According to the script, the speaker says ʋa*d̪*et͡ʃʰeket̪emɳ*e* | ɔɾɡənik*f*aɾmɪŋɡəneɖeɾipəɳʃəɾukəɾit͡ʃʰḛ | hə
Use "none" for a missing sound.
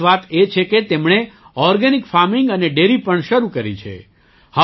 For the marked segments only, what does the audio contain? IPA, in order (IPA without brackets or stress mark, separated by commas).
t̪, e, f